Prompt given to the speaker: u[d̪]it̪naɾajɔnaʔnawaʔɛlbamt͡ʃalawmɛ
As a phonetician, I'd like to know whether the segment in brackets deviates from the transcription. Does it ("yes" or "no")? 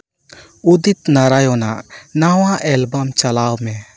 no